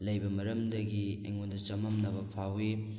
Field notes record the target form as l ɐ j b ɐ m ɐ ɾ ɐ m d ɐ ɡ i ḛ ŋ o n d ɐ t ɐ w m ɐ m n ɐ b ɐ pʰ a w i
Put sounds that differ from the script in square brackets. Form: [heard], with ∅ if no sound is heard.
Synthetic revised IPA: l ɐ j b ɐ m ɐ ɾ ɐ m d ɐ ɡ i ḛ ŋ o n d ɐ [t͡ʃ] ɐ [∅] m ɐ m n ɐ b ɐ pʰ a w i